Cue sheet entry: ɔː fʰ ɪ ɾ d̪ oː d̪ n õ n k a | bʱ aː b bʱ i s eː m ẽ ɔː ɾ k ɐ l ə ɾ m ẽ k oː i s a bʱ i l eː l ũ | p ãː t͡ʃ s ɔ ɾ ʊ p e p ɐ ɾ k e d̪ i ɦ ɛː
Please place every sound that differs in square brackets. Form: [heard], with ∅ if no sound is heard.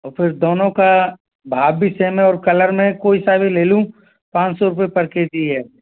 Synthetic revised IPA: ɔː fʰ ɪ ɾ d̪ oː [∅] n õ [∅] k a | bʱ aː b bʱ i s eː m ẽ ɔː ɾ k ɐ l ə ɾ m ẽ k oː i s a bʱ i l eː l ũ | p ãː t͡ʃ s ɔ ɾ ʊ p e p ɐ ɾ k e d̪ i ɦ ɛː